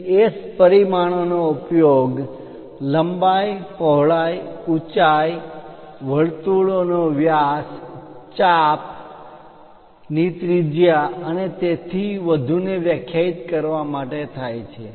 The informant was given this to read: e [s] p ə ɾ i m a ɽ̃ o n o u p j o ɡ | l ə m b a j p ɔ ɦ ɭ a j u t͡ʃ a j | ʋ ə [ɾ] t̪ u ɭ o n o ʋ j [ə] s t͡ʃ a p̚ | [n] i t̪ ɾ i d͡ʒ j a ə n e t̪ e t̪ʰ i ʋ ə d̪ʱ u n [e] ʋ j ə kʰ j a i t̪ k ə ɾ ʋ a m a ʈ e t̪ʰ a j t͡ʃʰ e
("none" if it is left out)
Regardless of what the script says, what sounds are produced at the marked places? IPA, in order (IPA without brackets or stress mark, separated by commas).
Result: s, ɭ, a, n, e